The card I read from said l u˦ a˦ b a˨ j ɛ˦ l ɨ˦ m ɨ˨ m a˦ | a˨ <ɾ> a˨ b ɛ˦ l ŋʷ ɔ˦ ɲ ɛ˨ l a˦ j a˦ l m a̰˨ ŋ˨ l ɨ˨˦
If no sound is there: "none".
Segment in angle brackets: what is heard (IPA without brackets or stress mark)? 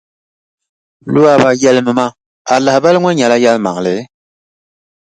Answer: l